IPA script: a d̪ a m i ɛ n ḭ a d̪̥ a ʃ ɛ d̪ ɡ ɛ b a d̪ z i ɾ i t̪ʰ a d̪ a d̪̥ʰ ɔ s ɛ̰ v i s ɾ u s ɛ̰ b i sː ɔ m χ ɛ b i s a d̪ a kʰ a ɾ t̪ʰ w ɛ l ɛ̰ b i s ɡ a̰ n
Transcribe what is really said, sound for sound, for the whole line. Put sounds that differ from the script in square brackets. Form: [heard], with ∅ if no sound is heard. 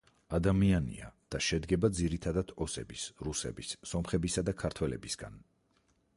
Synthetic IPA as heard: a d̪ a m i [a] n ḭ a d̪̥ a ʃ ɛ d̪ ɡ ɛ b a d̪ z i ɾ i t̪ʰ a d̪ a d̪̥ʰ ɔ s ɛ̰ [b] i s ɾ u s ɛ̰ b i sː ɔ m χ ɛ b i s a d̪ a kʰ a ɾ t̪ʰ w ɛ l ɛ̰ b i s ɡ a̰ n